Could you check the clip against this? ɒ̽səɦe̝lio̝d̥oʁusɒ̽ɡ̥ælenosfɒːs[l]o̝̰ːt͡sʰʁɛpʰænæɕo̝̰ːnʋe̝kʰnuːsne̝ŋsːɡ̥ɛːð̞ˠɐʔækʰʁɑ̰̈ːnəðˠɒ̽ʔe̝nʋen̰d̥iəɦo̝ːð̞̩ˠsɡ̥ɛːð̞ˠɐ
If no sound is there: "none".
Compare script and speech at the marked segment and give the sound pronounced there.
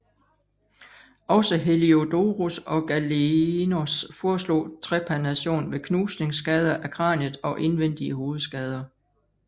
l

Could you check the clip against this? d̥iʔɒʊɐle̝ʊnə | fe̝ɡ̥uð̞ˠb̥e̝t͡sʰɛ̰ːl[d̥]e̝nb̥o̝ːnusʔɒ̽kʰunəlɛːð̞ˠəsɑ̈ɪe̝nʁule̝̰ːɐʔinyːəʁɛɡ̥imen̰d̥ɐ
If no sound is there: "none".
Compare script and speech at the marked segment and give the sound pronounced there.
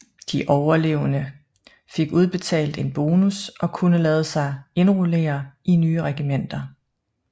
d̥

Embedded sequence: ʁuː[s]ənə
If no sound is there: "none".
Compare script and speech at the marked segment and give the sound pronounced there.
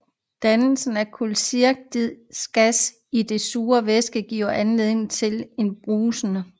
s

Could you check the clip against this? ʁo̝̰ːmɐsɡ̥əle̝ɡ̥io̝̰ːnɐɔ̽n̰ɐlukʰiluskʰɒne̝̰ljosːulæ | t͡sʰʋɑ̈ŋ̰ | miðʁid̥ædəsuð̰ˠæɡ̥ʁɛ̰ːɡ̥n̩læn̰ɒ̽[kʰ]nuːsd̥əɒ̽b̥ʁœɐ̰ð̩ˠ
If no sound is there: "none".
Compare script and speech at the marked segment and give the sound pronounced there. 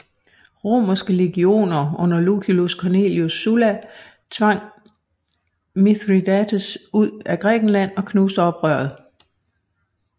kʰ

